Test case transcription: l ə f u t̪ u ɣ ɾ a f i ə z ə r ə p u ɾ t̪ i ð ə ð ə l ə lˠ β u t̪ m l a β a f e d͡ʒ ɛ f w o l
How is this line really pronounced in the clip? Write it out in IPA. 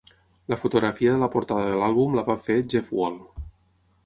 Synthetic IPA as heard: l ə f u t̪ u ɣ ɾ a f i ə ð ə l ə p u ɾ t̪ a ð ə ð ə l a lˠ β u m l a β a f e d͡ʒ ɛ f w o l